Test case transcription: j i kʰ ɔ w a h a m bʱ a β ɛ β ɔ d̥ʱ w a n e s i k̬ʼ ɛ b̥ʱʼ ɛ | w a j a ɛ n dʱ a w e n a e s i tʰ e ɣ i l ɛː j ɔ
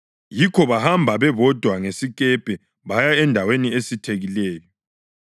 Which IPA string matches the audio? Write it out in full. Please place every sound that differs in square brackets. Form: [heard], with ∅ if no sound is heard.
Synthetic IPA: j i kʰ ɔ [β] a h a m bʱ a β ɛ β ɔ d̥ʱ w a [ŋ] e s i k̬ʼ ɛ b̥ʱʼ ɛ | [β] a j a ɛ n dʱ a w e n [i] e s i tʰ e ɣ i l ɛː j ɔ